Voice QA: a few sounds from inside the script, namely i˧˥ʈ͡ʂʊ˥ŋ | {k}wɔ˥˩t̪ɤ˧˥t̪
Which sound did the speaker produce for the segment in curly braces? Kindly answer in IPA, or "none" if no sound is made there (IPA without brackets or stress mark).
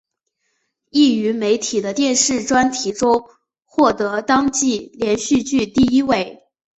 x